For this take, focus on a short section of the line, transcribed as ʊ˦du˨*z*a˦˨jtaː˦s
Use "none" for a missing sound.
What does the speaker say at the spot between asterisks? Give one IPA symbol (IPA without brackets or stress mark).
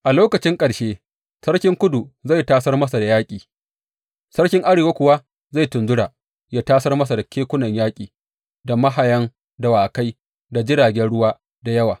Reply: z